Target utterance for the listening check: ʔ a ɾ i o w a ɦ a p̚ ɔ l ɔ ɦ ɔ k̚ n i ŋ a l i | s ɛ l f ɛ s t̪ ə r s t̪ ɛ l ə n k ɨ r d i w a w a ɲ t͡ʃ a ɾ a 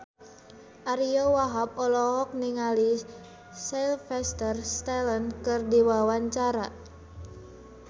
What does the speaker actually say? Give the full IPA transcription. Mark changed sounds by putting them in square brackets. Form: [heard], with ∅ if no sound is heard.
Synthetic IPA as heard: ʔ a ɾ i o w a ɦ a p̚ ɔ l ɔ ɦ ɔ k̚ n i ŋ a l i | s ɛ l f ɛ s t̪ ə r s t̪ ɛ l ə n k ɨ r d i w a w a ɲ t͡ʃ a ɾ a

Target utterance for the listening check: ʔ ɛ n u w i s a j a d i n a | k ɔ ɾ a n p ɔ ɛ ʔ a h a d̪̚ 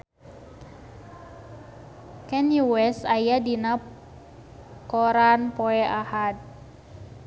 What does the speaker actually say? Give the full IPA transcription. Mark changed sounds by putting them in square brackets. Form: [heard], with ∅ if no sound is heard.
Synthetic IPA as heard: [k] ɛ n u w [ɛ] s a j a d i n a | k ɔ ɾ a n p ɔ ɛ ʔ a h a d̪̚

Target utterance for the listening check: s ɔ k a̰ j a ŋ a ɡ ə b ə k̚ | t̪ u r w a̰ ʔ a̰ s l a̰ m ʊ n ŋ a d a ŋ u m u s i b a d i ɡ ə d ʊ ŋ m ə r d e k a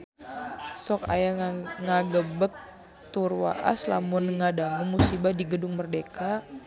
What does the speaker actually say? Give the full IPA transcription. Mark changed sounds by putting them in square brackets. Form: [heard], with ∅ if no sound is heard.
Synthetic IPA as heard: s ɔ k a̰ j a ŋ a ɡ ə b ə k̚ | t̪ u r w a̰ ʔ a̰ s l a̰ m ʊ n ŋ a d a ŋ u m u s i b a d i ɡ ə d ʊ ŋ m ə r d e k a

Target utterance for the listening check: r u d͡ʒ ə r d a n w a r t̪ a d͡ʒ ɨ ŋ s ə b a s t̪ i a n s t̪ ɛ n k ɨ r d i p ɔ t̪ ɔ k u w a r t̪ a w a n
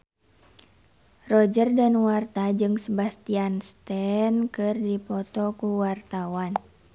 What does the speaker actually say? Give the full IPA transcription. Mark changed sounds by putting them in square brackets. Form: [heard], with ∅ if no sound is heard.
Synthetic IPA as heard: r [ɔ] d͡ʒ ə r d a n w a r t̪ a d͡ʒ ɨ ŋ s ə b a s t̪ i a n s t̪ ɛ n k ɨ r d i p ɔ t̪ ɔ k u w a r t̪ a w a n

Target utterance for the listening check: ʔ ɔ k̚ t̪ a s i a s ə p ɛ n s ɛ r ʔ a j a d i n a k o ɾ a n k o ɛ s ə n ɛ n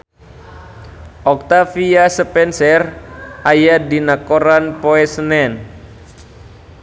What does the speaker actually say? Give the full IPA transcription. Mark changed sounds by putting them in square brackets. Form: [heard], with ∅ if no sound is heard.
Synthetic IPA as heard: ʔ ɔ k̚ t̪ a [f] i a s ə p ɛ n s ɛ r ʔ a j a d i n a k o ɾ a n [p] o ɛ s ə n ɛ n

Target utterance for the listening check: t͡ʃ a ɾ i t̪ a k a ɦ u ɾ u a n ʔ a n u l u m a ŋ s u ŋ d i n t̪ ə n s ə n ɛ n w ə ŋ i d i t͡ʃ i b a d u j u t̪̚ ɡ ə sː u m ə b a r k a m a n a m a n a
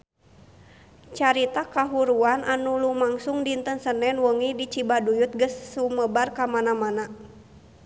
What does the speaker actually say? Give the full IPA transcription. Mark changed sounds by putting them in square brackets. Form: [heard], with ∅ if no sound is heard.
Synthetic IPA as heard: t͡ʃ a ɾ i t̪ a k a ɦ u ɾ u a n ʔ a n u l u m a ŋ s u ŋ d i n t̪ ə n s ə n ɛ n w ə ŋ i d i t͡ʃ i b a d u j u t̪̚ ɡ ə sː u m ə b a r k a m a n a m a n a

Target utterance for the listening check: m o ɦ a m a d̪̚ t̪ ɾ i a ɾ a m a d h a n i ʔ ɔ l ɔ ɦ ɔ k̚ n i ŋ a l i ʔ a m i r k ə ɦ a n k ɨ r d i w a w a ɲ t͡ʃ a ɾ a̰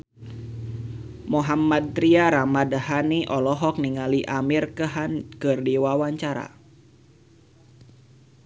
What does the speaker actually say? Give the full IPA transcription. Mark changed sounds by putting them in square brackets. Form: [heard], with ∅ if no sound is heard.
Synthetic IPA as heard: m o ɦ a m a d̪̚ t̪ ɾ i a ɾ a m a d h a n i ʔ ɔ l ɔ ɦ ɔ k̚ n i ŋ a l i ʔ a m i r k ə ɦ a n k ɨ r d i w a w a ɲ t͡ʃ a ɾ a̰

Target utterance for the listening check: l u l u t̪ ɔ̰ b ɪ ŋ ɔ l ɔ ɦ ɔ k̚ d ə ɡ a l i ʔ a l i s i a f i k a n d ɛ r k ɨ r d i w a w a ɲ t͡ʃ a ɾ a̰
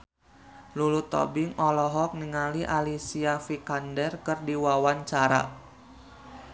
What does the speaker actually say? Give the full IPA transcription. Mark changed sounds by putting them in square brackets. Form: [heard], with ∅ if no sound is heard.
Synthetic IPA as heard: l u l u t̪ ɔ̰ b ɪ ŋ ɔ l ɔ ɦ ɔ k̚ [n] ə [ŋ] a l i ʔ a l i s i a f i k a n d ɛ r k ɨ r d i w a w a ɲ t͡ʃ a ɾ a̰

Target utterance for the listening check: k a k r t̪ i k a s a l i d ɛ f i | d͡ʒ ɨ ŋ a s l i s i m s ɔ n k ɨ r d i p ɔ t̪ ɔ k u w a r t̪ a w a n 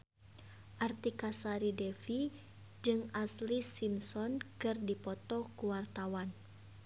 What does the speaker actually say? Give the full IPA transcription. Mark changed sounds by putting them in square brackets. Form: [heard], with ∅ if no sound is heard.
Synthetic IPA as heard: [ʔ] a [∅] r t̪ i k a s a [ɾ] i d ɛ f i | d͡ʒ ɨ ŋ a s l i s i m s ɔ n k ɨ r d i p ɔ t̪ ɔ k u w a r t̪ a w a n

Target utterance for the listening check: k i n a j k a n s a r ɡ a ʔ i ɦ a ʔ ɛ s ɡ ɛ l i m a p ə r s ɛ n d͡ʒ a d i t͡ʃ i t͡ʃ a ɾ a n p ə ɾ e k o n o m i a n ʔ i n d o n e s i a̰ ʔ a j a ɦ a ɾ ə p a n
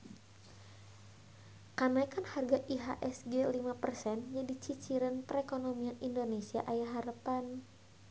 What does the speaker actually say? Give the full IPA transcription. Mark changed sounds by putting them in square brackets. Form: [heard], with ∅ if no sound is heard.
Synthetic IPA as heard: k [a] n a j k a n [h] a r ɡ a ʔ i ɦ a ʔ ɛ s ɡ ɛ l i m a p ə r s ɛ n d͡ʒ a d i t͡ʃ i t͡ʃ [i] ɾ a n p ə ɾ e k o n o m i a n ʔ i n d o n e s i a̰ ʔ a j a ɦ a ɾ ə p a n

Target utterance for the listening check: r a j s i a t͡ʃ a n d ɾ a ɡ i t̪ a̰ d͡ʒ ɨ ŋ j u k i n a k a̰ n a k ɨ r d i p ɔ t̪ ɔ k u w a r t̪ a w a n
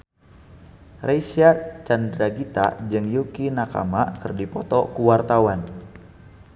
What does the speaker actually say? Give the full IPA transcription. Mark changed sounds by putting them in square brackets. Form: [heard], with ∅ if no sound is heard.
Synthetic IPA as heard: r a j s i a t͡ʃ a n d ɾ a ɡ i t̪ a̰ d͡ʒ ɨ ŋ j u k i n a k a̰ [m] a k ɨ r d i p ɔ t̪ ɔ k u w a r t̪ a w a n

